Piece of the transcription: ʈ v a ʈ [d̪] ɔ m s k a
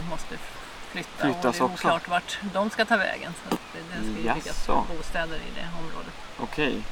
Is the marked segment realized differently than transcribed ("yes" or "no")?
no